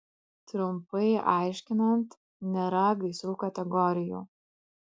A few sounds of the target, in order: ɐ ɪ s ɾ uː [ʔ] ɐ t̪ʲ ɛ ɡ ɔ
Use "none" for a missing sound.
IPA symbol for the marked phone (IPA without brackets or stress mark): k